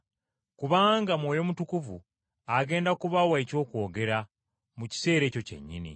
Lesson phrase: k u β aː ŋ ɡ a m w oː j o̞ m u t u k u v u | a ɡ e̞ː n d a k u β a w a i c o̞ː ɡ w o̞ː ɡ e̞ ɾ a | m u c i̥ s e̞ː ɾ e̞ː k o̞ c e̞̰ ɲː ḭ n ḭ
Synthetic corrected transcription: k u β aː ŋ ɡ a m w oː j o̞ m u t u k u v u | a ɡ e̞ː n d a k u β a w a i c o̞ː k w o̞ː ɡ e̞ ɾ a | m u c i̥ s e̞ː ɾ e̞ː c o̞ c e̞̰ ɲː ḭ n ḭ

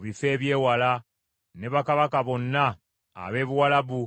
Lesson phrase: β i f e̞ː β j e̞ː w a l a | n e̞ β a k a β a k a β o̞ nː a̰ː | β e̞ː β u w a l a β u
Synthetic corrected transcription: β i f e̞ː β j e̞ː w a l a | n e̞ β a k a β a k a β o̞ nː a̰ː | β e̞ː β u w a l a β u

